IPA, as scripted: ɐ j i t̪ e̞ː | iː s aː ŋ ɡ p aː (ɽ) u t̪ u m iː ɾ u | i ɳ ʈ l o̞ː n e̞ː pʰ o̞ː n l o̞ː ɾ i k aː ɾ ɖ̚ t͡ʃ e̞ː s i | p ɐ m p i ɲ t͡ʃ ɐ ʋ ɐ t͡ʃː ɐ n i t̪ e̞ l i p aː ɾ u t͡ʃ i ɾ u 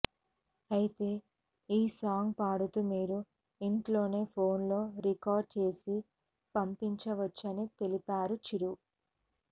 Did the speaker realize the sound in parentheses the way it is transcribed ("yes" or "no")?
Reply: yes